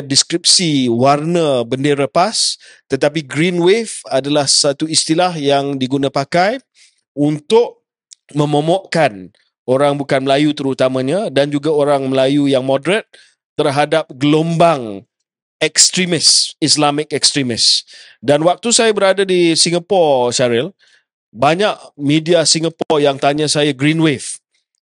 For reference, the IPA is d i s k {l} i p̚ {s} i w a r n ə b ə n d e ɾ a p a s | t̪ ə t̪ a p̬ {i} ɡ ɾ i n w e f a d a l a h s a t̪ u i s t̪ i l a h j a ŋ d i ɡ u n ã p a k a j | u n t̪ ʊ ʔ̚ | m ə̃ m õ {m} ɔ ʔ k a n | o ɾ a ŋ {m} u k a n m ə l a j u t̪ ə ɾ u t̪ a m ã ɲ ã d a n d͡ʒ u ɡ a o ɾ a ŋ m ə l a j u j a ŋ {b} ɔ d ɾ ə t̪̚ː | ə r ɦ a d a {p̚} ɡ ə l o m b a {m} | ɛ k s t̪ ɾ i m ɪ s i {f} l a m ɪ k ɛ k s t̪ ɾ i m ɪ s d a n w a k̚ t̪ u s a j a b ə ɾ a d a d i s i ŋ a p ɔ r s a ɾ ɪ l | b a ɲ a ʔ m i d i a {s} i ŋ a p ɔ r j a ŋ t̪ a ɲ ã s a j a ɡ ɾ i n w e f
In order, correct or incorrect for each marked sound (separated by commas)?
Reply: incorrect, correct, correct, correct, incorrect, incorrect, correct, incorrect, incorrect, correct